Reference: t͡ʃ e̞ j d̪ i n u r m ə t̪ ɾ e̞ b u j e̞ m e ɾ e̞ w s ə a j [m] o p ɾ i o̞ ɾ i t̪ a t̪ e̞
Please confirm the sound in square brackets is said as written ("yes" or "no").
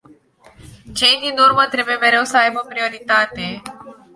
no